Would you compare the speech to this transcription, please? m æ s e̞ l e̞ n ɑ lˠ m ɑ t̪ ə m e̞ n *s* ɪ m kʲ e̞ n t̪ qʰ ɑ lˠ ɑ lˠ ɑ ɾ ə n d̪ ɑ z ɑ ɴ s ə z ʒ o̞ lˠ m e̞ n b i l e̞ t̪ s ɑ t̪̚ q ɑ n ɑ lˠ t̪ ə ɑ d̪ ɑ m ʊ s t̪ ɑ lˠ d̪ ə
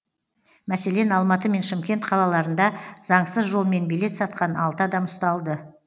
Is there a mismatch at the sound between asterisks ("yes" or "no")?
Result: yes